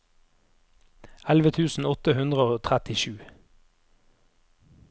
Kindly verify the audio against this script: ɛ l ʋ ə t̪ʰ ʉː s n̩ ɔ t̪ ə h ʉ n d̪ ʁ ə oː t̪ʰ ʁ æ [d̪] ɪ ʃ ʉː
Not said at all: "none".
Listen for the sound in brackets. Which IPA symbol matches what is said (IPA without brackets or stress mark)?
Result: t̪